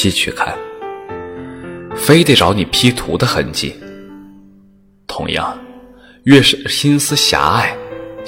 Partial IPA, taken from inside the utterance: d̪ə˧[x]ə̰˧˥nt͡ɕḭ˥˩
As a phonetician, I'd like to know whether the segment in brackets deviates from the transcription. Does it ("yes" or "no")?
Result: no